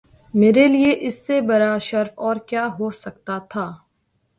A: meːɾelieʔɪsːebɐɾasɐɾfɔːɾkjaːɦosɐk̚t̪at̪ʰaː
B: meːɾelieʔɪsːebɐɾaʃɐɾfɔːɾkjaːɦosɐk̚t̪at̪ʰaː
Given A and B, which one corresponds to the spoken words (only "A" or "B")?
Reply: B